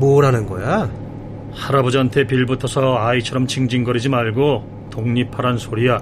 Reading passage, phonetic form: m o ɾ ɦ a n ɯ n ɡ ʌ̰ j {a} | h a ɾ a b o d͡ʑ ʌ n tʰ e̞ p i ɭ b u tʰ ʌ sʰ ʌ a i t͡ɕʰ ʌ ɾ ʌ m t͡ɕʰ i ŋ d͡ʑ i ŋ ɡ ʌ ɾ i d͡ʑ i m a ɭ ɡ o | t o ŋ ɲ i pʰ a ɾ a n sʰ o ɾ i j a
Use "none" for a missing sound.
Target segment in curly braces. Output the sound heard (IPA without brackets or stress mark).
a